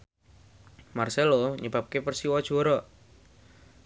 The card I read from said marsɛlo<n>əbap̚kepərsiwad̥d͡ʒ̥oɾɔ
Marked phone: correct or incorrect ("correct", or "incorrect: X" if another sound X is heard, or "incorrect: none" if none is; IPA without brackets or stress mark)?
incorrect: ɲ